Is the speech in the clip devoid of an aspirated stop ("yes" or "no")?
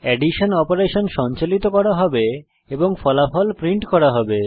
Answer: yes